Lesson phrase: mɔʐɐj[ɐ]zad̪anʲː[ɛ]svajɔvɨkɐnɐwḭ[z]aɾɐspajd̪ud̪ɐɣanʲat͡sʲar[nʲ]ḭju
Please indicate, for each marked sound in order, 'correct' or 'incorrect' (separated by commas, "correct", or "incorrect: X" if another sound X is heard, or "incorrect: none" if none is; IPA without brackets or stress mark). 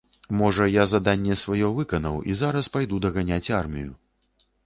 incorrect: a, correct, correct, incorrect: mʲ